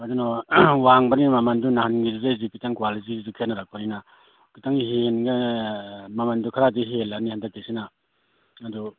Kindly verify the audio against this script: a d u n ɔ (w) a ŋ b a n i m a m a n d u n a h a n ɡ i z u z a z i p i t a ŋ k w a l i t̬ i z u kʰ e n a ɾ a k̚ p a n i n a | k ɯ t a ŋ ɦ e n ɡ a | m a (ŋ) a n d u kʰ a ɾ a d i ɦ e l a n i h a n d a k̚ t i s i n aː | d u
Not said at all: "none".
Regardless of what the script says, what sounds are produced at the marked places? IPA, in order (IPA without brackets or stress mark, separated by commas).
w, m